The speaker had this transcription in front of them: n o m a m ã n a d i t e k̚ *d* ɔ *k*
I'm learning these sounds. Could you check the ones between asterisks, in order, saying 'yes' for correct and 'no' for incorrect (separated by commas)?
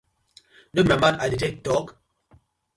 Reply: no, yes